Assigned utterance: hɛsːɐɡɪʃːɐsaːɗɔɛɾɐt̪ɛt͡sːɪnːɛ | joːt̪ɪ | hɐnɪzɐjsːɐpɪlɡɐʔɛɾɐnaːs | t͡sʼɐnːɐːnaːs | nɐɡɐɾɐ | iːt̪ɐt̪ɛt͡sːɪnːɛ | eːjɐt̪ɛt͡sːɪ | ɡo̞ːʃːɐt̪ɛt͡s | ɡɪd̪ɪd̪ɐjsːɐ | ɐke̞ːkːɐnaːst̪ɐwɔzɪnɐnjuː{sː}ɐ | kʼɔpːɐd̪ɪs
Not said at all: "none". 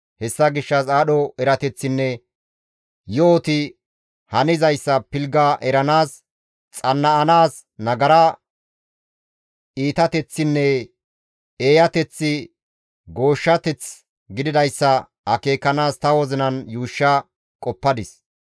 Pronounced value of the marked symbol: ʃː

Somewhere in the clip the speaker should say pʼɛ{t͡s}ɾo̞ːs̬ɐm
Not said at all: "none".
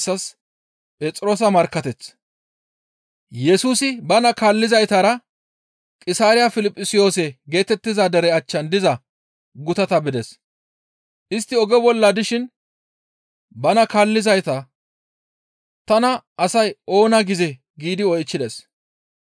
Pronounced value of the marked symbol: t͡sʼ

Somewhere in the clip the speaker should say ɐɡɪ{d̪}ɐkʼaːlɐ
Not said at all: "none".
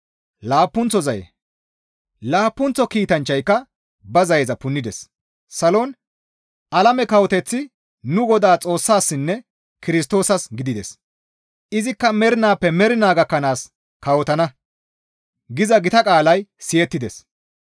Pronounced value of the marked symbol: t̪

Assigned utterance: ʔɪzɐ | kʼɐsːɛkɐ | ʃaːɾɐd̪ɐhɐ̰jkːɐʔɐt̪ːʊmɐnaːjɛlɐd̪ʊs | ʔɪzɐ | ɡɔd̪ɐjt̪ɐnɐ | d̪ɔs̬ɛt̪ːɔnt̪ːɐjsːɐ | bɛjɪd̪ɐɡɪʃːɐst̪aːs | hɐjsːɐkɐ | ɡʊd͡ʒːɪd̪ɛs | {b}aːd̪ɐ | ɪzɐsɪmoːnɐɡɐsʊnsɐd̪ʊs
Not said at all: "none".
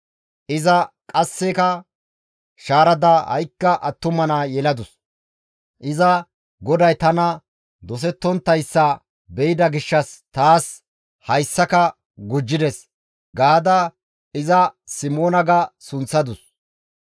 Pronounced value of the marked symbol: ɡ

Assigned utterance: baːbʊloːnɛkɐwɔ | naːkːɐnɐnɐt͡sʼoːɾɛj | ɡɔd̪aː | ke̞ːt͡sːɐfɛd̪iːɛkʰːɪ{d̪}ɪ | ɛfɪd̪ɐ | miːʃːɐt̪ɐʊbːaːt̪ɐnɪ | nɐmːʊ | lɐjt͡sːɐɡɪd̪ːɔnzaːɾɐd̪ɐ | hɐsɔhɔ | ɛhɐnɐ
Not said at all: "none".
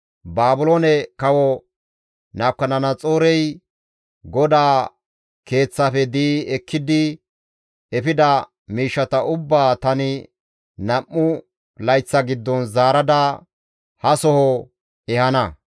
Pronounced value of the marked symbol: d̪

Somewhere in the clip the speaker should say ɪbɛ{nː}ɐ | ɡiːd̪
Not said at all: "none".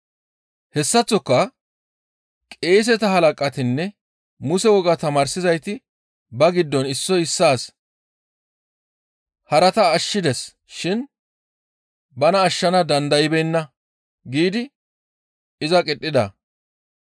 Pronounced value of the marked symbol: nː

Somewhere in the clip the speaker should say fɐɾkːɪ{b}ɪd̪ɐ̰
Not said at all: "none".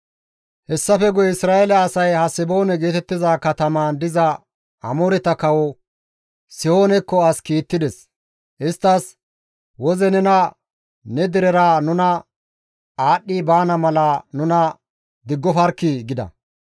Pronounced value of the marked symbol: ɡ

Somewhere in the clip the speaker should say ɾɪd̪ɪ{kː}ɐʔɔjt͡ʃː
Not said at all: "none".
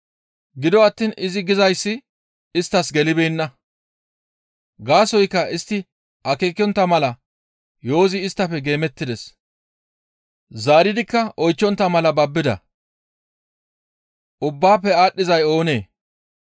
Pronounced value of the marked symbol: kː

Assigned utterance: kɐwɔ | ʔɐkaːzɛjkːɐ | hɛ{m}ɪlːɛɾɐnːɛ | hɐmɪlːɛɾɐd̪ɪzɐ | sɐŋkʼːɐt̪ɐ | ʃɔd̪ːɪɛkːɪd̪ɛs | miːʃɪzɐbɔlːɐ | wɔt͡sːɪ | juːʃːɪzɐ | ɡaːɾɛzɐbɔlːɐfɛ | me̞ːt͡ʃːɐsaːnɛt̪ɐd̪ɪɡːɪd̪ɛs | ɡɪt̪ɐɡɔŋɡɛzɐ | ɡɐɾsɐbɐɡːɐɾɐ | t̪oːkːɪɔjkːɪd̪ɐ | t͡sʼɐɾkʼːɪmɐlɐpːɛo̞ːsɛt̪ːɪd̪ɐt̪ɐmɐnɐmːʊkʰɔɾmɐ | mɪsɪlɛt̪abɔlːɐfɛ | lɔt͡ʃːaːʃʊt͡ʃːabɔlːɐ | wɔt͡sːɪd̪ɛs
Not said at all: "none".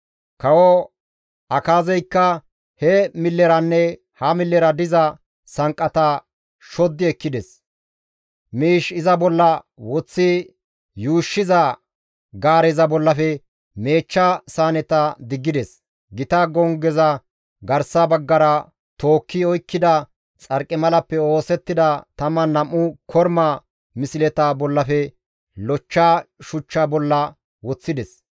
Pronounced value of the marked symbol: m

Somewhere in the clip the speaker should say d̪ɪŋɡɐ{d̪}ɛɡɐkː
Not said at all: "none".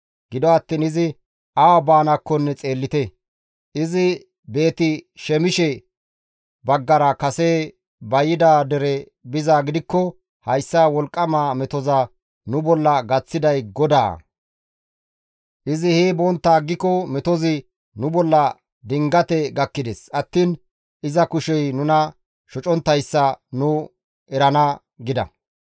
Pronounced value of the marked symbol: t̪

